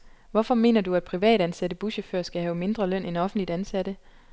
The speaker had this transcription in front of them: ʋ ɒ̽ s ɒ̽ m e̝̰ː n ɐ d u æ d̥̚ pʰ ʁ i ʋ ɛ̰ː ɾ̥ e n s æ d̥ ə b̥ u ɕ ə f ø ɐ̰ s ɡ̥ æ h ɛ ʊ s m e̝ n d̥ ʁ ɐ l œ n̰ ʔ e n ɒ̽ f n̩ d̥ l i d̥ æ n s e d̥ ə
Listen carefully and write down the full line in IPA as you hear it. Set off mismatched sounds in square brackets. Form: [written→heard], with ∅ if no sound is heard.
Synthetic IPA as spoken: ʋ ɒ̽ [s→f] ɒ̽ m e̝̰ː n ɐ d u æ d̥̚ pʰ ʁ i ʋ ɛ̰ː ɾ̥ [e→æ] n s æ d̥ ə b̥ u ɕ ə f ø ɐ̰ s ɡ̥ æ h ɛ ʊ [s→∅] m e̝ n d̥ ʁ ɐ l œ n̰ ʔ e n ɒ̽ f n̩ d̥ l i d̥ æ n s [e→æ] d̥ ə